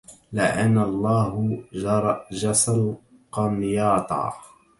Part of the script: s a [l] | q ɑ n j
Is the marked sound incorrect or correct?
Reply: correct